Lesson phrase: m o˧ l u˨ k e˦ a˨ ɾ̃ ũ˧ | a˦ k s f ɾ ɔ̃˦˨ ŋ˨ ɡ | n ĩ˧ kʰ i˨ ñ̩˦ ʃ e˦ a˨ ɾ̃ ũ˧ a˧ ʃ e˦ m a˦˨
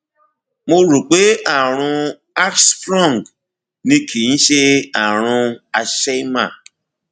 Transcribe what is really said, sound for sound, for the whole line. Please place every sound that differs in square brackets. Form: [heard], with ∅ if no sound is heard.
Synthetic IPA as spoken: m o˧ [ɾ] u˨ [k͡p] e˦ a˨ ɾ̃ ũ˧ | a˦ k s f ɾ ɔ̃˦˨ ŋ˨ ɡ | n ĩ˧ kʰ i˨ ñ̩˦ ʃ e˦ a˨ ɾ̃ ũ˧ a˧ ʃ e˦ m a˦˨